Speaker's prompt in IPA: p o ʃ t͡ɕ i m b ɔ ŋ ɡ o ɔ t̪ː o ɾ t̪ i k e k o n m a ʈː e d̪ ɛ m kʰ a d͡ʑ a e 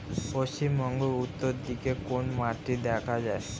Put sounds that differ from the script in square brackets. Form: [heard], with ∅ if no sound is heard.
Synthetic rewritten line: p o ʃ t͡ɕ i m b ɔ ŋ ɡ o [u] t̪ː o ɾ [d̪] i k e k o n m a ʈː [i] d̪ ɛ [∅] kʰ a d͡ʑ a e